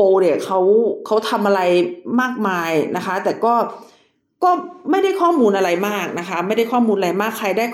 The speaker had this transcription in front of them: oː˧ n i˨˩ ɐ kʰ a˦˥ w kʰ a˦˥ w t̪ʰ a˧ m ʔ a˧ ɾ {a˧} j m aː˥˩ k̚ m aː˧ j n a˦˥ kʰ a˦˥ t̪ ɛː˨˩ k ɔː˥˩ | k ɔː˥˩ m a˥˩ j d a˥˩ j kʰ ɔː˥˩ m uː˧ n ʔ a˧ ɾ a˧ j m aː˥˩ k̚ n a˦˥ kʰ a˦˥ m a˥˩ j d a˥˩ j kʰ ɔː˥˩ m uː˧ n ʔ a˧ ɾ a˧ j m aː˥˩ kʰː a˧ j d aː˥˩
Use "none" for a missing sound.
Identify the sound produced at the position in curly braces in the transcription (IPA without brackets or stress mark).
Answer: a˧